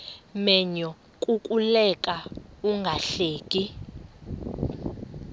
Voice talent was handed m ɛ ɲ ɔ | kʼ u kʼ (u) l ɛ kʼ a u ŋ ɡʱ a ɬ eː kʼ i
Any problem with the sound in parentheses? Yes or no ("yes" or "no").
no